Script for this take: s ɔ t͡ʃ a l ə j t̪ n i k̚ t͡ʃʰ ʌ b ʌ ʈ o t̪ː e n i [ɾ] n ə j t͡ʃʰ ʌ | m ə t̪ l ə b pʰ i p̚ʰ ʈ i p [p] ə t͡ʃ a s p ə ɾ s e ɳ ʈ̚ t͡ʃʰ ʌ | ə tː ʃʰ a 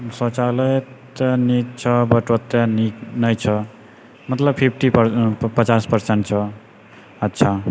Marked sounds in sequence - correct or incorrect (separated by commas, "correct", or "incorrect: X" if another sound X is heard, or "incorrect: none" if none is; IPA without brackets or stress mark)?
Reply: incorrect: none, correct